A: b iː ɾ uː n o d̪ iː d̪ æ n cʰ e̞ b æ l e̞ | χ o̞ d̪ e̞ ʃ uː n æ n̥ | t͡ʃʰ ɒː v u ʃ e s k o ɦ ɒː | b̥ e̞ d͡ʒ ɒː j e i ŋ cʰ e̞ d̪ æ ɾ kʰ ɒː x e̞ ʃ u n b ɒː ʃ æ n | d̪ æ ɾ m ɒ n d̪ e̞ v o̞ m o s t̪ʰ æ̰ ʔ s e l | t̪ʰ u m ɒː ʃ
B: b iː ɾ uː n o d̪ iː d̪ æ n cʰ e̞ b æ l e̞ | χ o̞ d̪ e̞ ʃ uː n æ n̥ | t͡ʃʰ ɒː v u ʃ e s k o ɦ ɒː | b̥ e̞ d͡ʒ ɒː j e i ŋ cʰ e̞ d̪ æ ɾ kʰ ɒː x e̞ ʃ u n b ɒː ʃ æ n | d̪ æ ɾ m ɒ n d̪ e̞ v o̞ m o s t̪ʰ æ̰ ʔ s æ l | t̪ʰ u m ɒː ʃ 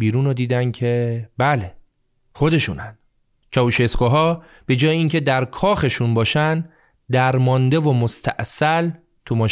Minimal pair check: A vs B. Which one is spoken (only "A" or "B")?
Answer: B